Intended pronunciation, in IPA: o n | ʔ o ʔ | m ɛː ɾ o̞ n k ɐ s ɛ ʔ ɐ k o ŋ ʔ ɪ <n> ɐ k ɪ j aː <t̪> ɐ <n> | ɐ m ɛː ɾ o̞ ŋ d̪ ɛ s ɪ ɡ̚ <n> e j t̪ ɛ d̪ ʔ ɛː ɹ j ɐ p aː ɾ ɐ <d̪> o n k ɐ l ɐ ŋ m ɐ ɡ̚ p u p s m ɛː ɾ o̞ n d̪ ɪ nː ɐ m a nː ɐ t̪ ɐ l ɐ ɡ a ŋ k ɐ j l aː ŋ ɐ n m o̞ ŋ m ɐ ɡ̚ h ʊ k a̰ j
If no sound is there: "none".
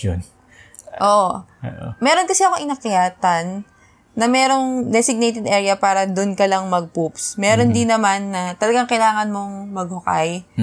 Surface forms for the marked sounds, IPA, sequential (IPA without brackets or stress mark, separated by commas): n, t̪, nː, n, d̪